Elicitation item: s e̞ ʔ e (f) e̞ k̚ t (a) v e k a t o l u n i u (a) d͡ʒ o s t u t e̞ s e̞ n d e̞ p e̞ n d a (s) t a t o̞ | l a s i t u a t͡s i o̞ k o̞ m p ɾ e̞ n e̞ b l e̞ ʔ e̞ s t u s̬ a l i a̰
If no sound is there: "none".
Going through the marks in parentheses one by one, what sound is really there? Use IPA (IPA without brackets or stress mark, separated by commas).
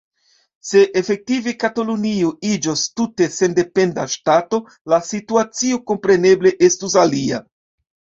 f, i, i, ʃ